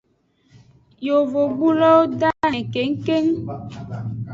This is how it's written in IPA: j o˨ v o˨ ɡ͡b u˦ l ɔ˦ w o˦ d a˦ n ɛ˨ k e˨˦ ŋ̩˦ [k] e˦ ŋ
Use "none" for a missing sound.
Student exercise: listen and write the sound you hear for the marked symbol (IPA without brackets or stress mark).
k